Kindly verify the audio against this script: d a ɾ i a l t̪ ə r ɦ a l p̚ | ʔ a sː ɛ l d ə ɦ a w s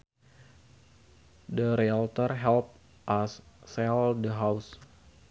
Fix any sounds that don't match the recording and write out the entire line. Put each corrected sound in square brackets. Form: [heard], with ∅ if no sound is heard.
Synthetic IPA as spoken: d [ə] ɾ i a l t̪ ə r ɦ [ɛ] l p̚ | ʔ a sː ɛ l d ə ɦ a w s